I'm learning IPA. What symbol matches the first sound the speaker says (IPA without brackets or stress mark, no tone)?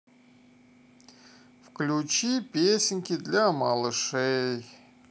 f